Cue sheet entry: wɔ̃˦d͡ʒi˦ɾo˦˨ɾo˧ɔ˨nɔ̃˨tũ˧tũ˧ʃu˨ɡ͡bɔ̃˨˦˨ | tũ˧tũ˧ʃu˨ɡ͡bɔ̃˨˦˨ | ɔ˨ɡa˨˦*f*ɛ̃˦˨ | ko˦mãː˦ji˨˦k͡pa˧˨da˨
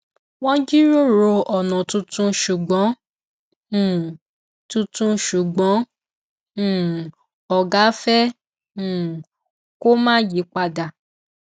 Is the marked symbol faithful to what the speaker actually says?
yes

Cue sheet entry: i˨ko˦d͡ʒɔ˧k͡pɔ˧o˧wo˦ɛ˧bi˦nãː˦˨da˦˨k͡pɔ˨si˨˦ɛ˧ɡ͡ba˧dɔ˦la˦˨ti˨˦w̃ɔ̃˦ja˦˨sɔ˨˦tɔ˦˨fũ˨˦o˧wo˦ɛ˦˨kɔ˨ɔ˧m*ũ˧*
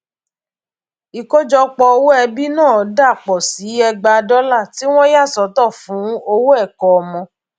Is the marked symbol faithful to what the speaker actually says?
no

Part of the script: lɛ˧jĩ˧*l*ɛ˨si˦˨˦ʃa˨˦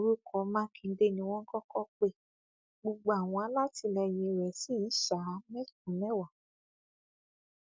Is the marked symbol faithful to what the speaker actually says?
no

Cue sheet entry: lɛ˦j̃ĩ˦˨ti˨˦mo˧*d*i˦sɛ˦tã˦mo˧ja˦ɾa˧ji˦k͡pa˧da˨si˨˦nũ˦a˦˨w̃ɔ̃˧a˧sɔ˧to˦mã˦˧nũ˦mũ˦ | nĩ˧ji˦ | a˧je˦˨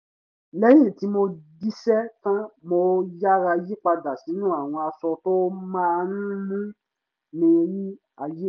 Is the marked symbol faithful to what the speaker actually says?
yes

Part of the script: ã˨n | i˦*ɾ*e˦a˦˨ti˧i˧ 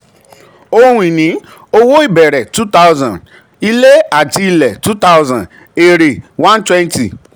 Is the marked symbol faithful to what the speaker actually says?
no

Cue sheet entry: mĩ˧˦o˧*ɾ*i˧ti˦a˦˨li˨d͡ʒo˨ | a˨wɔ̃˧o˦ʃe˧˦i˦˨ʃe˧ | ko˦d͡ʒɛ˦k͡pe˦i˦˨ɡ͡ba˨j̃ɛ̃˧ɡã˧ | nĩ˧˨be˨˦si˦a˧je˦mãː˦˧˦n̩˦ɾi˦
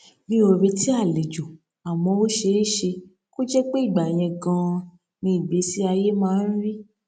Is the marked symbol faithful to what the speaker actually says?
yes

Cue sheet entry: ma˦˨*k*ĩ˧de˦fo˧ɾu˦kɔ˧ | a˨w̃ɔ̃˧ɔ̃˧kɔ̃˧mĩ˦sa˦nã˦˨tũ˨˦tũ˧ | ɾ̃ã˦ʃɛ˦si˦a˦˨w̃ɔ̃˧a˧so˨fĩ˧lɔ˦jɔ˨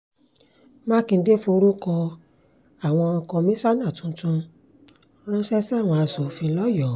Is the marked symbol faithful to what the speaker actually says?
yes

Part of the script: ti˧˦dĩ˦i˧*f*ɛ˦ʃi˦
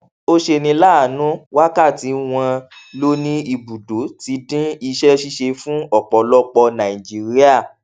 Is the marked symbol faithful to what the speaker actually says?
no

